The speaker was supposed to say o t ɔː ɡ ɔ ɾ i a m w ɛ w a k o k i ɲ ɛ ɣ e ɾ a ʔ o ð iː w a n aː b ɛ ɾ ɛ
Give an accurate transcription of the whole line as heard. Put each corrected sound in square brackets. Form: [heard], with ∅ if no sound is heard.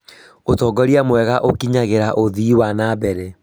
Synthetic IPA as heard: o t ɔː ɡ ɔ ɾ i a m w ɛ [ɣ] a [ʔ] o k i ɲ [a] ɣ e ɾ a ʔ o ð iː w a n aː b ɛ ɾ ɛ

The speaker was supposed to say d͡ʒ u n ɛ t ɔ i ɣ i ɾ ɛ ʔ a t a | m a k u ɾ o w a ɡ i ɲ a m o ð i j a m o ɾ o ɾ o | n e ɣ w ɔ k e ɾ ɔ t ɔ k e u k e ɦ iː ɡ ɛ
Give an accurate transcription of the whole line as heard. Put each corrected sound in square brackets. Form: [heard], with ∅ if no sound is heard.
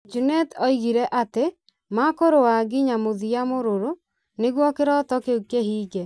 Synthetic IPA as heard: d͡ʒ u n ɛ t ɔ i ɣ i ɾ ɛ ʔ a t [e] | m a k [o] ɾ o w a ɡ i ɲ a m o ð i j a m o ɾ o ɾ o | n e ɣ w ɔ k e ɾ ɔ t ɔ k e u k e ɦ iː ɡ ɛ

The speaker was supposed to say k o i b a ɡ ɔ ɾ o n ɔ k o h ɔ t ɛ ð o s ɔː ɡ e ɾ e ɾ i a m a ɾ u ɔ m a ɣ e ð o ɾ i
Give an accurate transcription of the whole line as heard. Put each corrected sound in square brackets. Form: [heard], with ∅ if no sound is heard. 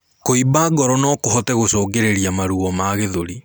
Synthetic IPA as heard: k o i b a ɡ ɔ ɾ [ɔ] n ɔ k o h ɔ t ɛ [ɣ] o s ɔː ɡ e ɾ e ɾ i a m a ɾ u ɔ m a ɣ e ð o ɾ i

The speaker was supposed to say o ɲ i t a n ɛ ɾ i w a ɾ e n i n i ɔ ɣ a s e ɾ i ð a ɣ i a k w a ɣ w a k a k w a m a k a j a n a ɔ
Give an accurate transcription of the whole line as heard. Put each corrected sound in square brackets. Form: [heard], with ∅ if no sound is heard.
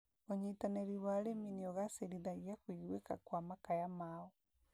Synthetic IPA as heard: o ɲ i t a n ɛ ɾ i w a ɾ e [m] i n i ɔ ɣ a s e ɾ i ð a ɣ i a k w [i] ɣ w [e] k a k w a m a k a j a [m] a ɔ

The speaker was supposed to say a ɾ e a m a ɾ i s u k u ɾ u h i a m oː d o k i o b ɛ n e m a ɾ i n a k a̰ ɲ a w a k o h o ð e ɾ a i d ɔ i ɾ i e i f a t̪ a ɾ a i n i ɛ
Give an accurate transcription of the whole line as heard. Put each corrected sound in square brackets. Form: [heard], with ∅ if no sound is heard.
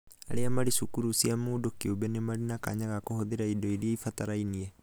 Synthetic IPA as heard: a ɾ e a m a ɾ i s u k u ɾ u [s] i a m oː d o k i o b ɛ n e m a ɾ i n a k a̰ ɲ a [ɣ] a k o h o ð e ɾ a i d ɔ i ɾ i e i f a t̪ a ɾ a i n i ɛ

